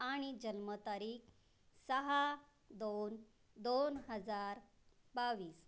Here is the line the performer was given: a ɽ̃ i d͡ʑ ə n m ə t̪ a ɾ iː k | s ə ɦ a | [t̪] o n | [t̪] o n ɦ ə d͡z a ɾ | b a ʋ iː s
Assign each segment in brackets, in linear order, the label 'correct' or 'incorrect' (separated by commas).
incorrect, incorrect